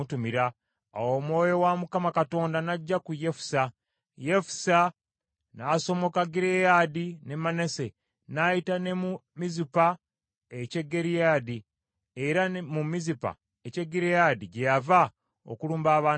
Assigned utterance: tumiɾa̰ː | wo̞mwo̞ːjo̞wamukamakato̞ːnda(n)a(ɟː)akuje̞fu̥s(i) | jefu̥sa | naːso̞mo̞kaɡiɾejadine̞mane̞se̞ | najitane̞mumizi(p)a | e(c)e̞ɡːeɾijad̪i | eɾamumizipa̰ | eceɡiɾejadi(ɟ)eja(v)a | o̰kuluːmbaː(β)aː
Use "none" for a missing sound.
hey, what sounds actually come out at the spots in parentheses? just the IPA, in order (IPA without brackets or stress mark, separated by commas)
n, ɟː, a, p, c, ɟ, v, β